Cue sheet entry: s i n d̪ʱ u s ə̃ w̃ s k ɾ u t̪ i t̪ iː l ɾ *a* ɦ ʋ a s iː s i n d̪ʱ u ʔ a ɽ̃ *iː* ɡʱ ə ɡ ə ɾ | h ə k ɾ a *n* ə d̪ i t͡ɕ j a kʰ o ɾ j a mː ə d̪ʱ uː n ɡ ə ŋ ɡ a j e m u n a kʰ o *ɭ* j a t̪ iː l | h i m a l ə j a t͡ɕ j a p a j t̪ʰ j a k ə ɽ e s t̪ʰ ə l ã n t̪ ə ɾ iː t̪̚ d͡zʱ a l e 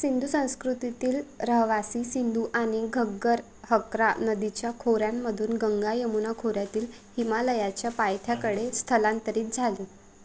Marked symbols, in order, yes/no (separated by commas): no, no, yes, no